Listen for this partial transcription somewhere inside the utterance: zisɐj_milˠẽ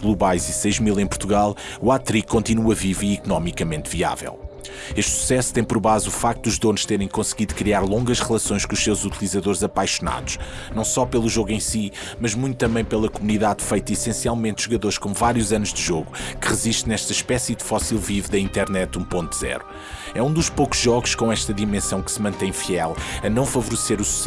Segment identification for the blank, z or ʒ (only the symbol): ʒ